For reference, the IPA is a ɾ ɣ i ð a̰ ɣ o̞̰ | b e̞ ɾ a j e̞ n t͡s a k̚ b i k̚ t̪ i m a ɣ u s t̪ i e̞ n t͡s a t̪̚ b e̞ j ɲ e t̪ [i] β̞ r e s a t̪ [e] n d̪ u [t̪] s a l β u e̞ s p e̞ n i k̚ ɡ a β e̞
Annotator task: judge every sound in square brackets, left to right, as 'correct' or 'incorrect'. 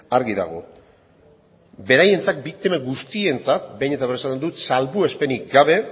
incorrect: a, correct, correct

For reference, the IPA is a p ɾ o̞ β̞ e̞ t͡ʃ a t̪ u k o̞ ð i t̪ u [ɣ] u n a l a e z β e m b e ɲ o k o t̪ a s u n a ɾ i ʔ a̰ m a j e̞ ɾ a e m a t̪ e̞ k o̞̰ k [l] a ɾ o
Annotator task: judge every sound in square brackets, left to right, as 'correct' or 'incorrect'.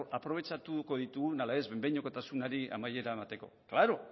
correct, correct

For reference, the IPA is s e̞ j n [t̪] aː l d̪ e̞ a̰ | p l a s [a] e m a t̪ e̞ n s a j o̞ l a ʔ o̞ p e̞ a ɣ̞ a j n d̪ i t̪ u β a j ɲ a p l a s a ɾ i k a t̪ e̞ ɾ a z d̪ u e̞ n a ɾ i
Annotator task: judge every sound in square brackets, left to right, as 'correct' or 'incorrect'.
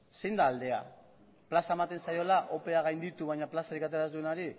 incorrect: d̪, correct

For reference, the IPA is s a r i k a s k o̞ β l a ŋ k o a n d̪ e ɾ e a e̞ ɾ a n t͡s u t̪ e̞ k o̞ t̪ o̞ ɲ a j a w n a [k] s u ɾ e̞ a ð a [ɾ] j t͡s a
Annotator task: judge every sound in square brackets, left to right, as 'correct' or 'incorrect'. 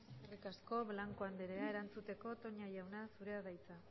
incorrect: none, incorrect: none

